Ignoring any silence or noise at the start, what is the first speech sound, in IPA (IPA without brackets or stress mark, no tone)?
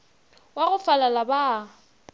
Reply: w